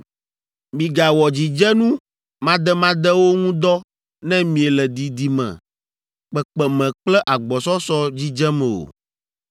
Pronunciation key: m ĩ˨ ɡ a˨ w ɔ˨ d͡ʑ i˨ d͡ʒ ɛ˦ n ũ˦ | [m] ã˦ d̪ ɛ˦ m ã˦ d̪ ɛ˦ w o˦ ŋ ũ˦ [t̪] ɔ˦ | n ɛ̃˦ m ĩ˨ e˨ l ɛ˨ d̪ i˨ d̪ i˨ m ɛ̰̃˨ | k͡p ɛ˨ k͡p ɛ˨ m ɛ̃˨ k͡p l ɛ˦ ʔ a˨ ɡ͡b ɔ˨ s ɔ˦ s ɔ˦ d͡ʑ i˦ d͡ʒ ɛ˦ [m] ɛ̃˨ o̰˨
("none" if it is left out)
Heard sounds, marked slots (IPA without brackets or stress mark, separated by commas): m, d̪, m